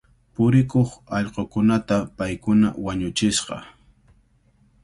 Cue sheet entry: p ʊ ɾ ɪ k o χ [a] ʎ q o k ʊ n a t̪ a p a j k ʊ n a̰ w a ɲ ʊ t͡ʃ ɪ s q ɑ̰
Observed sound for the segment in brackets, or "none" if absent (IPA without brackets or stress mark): ɑ